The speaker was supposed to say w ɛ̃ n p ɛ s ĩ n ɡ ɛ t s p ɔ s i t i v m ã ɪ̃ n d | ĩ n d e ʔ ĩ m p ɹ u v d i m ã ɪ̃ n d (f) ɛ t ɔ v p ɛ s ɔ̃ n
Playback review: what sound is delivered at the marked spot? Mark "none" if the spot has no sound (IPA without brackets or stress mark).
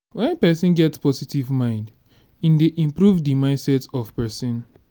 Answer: s